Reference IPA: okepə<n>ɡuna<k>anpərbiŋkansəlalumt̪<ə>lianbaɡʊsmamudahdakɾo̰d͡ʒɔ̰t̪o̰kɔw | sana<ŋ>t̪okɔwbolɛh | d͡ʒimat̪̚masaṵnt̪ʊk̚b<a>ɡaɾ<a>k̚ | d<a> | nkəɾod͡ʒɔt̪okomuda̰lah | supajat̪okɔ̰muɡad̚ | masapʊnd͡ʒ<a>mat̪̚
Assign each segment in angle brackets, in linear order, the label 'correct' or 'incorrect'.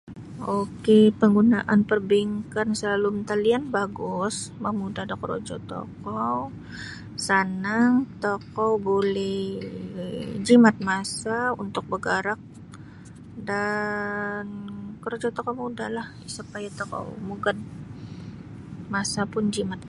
incorrect, incorrect, incorrect, correct, incorrect, correct, correct, incorrect

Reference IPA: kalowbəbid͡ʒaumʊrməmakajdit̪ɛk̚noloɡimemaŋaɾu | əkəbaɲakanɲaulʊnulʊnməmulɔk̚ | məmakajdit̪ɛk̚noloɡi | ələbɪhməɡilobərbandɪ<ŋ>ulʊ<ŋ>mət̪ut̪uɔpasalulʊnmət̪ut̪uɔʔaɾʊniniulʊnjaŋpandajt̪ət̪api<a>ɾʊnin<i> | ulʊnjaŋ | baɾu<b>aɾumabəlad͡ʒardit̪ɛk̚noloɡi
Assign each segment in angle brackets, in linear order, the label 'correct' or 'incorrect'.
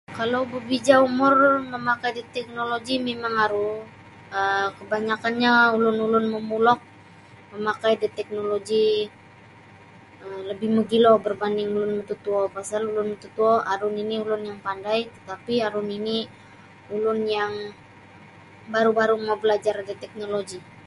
correct, incorrect, correct, correct, correct

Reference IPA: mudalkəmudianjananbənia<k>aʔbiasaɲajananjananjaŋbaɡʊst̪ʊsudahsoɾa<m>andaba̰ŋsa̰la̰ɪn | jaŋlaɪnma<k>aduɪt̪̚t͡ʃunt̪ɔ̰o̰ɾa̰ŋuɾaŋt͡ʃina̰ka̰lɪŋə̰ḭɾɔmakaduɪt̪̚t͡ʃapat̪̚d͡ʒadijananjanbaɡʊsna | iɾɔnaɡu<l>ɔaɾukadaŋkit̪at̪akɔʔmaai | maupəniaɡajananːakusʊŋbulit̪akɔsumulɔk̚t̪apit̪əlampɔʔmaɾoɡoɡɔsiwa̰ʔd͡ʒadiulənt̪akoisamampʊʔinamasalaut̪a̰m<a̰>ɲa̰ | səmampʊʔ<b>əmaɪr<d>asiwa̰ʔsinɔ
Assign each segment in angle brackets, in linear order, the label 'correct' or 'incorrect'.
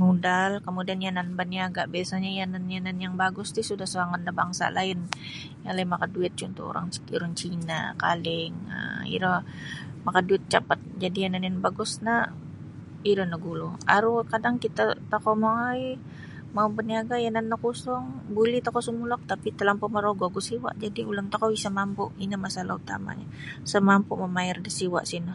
incorrect, incorrect, correct, correct, correct, incorrect, correct

